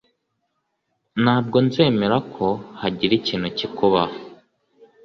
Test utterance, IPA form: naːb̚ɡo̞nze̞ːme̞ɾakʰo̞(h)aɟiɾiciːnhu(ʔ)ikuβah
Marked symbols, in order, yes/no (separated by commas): yes, no